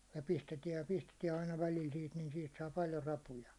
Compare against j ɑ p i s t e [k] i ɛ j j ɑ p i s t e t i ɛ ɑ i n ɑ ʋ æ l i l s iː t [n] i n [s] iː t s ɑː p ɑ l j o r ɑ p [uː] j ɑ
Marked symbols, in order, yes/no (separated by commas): no, yes, yes, no